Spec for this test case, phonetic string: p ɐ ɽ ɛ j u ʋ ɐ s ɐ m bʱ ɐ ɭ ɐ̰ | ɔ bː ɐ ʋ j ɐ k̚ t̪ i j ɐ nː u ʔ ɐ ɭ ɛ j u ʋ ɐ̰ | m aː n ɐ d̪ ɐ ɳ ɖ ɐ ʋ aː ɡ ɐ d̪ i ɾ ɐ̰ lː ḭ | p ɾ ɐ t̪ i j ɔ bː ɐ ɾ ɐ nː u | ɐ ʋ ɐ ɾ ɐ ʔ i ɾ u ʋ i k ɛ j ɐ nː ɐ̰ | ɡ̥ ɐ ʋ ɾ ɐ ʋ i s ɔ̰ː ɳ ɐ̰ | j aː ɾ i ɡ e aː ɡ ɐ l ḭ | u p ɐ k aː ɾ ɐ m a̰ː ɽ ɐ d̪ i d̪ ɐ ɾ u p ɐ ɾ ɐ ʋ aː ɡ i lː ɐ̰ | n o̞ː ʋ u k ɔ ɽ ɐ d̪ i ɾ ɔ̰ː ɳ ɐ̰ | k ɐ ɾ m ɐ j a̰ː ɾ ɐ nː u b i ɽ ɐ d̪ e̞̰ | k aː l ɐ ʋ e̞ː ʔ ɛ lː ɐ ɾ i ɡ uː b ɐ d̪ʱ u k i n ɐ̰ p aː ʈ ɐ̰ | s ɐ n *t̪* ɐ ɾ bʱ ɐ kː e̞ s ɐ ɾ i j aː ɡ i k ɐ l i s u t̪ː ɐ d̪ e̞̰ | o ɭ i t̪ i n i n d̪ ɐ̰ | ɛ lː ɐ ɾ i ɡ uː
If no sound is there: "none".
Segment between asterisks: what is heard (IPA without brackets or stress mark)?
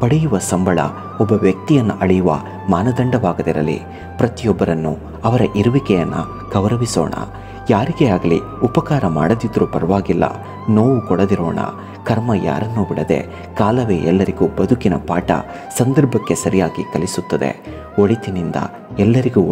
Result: d̪